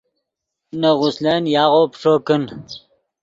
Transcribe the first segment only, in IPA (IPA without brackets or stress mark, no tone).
n